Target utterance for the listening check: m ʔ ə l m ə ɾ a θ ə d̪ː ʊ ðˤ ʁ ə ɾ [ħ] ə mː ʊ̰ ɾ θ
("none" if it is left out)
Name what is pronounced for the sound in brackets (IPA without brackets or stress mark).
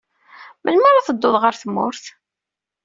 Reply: θ